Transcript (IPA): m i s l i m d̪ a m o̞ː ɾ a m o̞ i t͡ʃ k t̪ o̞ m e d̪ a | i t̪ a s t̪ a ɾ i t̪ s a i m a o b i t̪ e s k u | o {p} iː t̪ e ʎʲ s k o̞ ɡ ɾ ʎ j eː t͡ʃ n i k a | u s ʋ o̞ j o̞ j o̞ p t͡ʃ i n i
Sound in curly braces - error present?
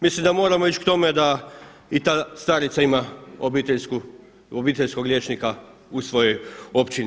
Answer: yes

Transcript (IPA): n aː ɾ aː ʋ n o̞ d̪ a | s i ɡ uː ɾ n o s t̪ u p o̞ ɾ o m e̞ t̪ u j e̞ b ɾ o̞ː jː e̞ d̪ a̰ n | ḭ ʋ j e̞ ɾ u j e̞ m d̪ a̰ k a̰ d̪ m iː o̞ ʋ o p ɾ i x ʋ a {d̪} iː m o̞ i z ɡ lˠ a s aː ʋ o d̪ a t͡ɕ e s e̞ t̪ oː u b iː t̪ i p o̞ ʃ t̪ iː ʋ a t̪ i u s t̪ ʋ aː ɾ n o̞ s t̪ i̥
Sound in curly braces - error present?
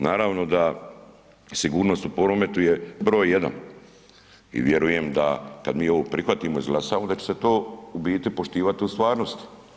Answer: yes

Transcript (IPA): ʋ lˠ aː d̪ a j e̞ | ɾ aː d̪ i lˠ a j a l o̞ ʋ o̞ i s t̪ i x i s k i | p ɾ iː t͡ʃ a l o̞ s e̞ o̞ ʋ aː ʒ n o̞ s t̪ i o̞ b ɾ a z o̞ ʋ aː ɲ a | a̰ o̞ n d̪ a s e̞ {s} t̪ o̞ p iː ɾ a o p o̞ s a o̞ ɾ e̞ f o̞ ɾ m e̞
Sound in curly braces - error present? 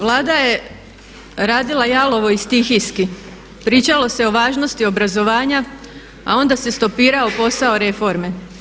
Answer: no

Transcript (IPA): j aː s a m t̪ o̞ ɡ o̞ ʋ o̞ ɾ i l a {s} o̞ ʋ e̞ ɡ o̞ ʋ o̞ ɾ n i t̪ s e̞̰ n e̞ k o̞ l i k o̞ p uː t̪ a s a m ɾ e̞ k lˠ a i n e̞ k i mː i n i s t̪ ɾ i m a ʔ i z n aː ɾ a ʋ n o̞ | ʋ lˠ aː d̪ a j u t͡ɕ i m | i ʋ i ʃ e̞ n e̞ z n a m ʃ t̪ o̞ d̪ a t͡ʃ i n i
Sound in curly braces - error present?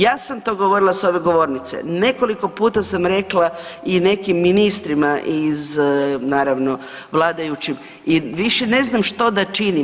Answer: no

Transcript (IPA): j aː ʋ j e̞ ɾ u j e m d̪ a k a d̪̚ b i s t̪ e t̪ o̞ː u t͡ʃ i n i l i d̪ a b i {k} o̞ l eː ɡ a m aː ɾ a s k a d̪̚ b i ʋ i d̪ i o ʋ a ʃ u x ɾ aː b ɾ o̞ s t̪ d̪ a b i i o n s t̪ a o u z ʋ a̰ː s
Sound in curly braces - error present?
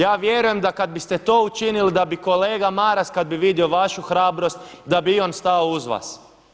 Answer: no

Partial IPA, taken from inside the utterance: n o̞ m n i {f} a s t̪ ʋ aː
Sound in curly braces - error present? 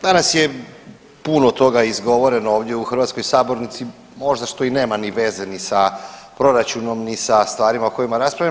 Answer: yes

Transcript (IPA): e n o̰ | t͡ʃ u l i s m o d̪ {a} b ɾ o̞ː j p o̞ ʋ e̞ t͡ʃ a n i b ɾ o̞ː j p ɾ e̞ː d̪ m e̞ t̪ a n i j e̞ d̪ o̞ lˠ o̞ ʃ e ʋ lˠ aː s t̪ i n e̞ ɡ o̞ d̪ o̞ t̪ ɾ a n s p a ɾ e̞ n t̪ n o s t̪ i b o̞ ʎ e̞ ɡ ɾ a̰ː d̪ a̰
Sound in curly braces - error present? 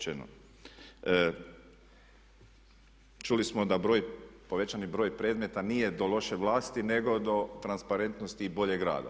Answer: no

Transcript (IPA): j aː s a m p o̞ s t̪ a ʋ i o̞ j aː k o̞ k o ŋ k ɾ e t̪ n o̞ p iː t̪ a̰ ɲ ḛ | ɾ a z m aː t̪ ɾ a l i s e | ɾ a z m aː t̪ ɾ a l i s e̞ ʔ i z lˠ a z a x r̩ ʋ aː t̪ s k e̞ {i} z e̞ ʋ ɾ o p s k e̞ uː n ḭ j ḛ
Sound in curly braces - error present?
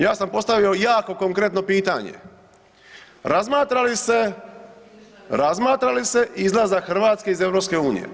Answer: no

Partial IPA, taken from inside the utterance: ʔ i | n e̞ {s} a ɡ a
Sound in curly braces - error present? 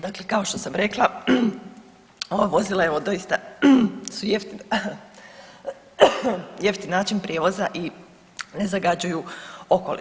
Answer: yes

